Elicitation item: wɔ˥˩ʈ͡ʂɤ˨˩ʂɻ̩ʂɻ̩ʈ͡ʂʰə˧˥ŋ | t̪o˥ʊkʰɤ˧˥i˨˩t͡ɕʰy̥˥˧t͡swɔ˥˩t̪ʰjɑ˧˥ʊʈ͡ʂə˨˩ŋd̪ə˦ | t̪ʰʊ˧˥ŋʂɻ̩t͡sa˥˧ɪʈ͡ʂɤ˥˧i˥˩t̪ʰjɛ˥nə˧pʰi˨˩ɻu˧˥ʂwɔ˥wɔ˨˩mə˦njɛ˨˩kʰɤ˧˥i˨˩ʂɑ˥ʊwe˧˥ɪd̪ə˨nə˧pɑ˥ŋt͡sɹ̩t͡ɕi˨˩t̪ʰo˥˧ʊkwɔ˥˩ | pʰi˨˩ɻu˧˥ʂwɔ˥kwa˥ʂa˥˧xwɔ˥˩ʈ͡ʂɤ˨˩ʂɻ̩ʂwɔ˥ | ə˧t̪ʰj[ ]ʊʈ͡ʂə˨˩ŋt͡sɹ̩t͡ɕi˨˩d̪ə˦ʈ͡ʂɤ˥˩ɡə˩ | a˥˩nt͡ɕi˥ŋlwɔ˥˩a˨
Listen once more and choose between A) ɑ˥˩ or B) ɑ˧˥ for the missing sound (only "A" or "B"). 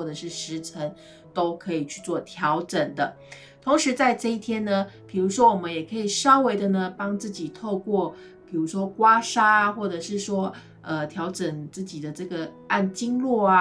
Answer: B